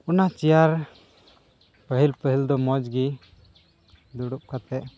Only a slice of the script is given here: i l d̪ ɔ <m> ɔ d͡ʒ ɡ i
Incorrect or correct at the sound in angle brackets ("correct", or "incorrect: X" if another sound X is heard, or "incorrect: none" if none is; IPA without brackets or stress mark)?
correct